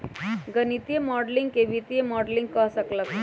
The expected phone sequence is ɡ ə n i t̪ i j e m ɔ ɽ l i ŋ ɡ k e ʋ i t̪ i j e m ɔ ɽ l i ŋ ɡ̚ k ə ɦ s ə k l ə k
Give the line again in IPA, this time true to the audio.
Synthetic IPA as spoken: ɡ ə n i t̪ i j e m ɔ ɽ l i ŋ ɡ k e ʋ i t̪ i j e m ɔ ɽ l i ŋ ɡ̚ k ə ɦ s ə k l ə k